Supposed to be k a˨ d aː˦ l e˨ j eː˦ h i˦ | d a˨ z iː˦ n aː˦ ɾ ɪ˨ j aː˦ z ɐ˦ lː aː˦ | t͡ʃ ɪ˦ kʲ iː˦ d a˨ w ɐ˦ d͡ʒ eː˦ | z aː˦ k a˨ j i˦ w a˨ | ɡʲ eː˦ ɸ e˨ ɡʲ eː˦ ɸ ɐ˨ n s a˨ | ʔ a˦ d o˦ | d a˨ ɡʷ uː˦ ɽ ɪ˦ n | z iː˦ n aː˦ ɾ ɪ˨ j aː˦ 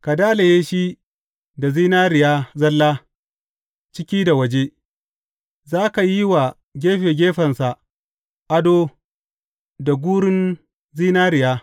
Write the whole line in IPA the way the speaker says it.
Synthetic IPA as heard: k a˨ d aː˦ l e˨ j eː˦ ʃ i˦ | d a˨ z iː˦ n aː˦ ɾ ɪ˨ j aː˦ z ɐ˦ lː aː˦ | t͡ʃ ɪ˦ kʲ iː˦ d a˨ w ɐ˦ d͡ʒ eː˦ | z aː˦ k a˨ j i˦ w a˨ | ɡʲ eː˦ ɸ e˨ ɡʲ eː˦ ɸ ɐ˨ n s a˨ | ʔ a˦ d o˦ | d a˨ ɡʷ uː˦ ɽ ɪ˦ n | z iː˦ n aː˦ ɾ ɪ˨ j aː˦